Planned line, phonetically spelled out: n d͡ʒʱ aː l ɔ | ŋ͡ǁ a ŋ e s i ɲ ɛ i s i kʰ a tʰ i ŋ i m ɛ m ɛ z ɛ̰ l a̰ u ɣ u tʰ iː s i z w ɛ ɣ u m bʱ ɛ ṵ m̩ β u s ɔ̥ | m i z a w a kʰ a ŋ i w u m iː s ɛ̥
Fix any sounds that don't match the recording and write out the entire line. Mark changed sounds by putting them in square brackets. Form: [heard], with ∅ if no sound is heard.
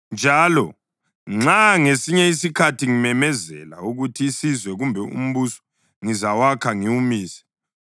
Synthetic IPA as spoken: n d͡ʒʱ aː l ɔ | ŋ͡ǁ a ŋ e s i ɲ ɛ i s i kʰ a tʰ i ŋ i m ɛ m ɛ z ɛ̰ l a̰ u ɣ u tʰ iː s i z w ɛ ɣ u m bʱ ɛ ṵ m̩ β u s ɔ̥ | [ŋ] i z a w a kʰ a ŋ i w u m iː s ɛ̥